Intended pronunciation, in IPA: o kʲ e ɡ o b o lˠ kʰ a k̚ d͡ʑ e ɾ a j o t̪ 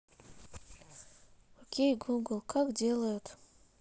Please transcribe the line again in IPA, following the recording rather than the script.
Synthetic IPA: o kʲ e ɡ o ɡ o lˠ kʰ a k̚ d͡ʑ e l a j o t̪